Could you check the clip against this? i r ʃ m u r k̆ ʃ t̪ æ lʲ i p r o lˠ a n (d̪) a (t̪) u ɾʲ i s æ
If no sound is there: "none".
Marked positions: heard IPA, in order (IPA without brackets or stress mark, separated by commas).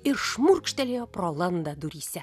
d̪, d̪